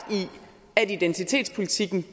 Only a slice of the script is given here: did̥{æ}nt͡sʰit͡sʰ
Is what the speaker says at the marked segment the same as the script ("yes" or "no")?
no